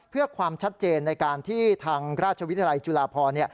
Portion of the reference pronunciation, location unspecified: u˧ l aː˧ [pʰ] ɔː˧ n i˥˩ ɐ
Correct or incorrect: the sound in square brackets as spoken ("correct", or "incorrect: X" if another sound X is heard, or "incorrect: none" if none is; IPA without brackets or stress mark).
correct